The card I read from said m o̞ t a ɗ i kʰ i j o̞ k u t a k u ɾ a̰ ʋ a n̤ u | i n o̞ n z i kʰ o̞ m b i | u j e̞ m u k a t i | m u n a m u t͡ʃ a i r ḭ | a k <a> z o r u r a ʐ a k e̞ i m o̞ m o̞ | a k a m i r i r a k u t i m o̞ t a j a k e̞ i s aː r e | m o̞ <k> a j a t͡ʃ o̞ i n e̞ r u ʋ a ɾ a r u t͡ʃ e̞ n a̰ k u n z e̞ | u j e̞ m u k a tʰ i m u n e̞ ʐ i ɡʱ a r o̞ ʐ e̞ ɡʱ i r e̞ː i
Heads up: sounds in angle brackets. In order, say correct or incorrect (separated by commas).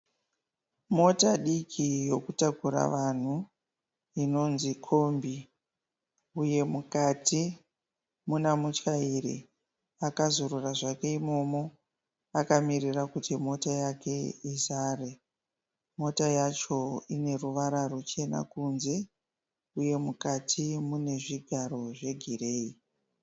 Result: correct, incorrect